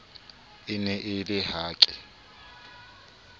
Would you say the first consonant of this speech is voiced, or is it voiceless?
voiced